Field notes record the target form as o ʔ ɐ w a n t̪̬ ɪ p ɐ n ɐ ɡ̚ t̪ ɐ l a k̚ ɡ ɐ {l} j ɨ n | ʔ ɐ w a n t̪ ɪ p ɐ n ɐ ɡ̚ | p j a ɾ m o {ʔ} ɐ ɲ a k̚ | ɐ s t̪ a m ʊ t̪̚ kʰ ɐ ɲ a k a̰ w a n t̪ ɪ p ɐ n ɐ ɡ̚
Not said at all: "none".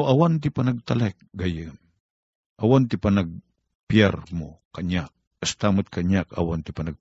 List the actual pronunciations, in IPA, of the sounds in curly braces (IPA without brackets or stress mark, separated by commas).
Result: none, k